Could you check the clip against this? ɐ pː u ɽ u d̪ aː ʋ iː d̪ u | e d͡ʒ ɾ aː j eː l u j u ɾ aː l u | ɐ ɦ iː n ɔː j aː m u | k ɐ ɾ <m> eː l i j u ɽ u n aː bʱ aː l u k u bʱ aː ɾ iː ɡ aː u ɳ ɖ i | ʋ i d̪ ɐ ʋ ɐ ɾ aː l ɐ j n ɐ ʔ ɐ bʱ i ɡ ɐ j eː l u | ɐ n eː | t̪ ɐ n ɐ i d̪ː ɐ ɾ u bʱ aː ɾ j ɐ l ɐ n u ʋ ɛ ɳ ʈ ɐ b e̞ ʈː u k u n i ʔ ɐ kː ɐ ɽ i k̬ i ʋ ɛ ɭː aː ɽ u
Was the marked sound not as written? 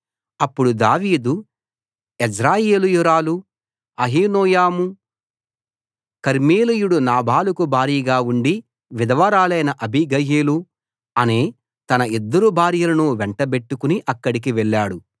no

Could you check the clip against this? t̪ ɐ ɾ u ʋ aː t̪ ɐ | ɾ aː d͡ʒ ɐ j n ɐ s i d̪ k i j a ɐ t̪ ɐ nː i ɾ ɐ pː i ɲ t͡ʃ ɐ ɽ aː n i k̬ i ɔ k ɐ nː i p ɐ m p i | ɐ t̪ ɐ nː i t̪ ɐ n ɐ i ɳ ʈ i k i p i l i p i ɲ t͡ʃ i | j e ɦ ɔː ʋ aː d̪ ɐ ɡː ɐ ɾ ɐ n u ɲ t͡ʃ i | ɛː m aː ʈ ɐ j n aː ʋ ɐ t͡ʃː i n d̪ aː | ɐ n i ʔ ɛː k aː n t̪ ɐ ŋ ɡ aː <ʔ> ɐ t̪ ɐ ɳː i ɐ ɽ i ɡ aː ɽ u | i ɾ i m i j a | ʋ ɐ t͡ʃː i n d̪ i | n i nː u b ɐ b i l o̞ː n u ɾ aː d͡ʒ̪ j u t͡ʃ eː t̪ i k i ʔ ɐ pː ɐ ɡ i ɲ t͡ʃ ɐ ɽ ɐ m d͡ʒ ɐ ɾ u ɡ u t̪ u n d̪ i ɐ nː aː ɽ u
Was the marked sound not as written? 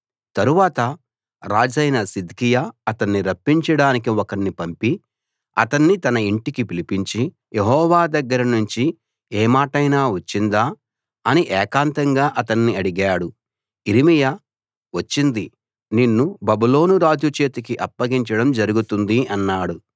no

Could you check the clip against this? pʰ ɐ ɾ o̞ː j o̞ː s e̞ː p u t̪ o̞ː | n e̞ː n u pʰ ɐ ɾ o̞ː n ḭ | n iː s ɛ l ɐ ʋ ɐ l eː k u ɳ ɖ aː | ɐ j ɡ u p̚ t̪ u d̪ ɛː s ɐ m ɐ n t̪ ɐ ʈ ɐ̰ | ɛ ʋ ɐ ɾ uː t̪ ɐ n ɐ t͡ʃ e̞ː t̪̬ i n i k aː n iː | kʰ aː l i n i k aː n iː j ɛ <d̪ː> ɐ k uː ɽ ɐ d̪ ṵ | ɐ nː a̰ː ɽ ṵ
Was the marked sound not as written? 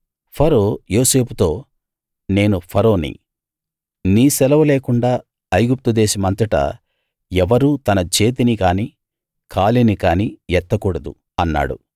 yes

